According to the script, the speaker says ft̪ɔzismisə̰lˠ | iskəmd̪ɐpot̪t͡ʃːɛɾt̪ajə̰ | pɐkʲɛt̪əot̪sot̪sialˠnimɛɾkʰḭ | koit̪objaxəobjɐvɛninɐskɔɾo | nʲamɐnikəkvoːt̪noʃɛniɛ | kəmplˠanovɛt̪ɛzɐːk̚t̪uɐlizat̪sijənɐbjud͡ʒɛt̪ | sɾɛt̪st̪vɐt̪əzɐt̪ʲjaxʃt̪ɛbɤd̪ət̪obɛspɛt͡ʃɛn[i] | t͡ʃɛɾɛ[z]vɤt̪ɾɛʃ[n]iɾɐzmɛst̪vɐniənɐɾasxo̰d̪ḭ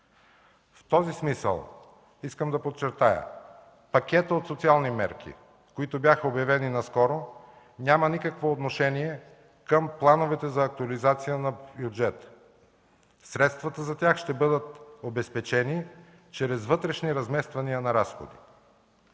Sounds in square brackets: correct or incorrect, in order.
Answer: correct, correct, correct

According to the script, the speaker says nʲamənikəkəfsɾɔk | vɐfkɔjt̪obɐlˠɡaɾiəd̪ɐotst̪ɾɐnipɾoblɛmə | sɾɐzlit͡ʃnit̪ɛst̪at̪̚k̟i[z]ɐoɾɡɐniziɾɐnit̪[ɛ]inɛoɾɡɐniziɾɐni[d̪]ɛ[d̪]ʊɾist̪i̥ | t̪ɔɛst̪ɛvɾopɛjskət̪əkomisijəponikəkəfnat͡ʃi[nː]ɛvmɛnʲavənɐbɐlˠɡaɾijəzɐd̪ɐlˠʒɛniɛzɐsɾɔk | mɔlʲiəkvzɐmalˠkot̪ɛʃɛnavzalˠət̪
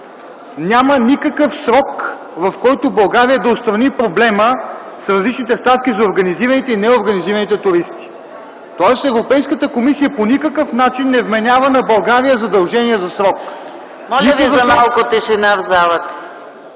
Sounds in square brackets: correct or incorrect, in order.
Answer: correct, correct, incorrect, incorrect, correct

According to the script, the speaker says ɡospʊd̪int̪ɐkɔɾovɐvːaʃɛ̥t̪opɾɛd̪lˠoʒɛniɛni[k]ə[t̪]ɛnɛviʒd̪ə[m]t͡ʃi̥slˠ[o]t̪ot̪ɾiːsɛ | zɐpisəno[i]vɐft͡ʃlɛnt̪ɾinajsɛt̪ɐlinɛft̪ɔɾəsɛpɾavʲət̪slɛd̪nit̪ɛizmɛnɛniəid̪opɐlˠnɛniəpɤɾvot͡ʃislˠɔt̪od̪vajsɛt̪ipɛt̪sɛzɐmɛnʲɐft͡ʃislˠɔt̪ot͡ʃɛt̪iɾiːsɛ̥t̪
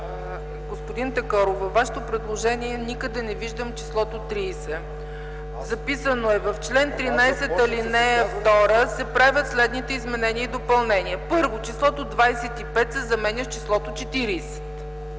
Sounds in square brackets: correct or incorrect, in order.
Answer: correct, incorrect, correct, incorrect, incorrect

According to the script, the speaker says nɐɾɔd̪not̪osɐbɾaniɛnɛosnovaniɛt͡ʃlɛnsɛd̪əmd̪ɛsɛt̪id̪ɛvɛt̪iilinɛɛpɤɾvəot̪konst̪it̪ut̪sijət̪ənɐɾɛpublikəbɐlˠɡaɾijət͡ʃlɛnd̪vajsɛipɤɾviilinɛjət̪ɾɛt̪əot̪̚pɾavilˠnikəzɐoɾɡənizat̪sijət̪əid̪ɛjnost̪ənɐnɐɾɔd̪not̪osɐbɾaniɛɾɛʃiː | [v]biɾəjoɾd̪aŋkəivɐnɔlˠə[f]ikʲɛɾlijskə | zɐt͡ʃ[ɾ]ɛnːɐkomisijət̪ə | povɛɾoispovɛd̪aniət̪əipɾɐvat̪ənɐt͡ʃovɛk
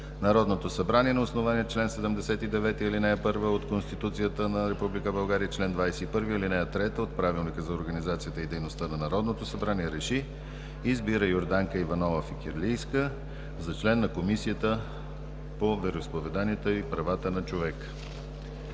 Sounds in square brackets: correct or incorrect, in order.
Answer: incorrect, correct, incorrect

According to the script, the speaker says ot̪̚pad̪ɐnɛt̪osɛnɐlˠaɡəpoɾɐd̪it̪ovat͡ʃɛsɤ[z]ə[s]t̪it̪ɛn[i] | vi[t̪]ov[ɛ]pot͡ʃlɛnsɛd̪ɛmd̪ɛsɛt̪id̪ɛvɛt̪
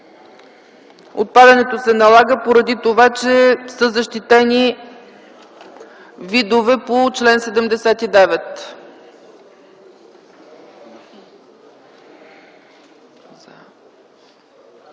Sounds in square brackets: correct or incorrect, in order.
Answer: correct, incorrect, correct, incorrect, correct

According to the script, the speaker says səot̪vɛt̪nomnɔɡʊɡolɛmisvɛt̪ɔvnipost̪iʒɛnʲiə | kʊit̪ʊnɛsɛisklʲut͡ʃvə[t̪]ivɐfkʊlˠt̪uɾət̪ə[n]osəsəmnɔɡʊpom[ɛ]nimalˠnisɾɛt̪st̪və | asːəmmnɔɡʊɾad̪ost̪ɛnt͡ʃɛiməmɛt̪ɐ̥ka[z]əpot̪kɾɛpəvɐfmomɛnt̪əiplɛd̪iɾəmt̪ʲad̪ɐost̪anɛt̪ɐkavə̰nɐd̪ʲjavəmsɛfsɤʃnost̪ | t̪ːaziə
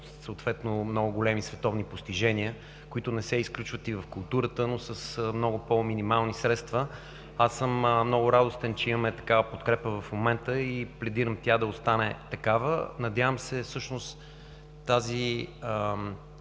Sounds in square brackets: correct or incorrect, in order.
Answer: correct, correct, incorrect, incorrect

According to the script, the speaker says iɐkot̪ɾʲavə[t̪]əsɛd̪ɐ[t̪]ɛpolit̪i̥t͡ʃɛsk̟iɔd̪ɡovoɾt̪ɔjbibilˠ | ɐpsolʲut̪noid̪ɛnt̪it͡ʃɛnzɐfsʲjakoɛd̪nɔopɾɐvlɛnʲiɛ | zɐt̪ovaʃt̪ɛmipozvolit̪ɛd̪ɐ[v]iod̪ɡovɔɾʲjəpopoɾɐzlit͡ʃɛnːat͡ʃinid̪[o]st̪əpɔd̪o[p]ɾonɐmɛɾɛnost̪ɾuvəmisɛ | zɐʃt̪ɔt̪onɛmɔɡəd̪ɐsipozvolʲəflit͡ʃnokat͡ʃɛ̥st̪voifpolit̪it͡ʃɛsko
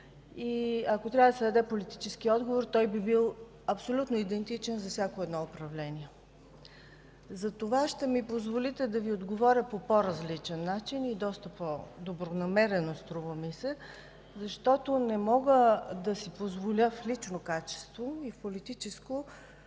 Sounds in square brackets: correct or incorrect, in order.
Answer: incorrect, incorrect, correct, incorrect, incorrect

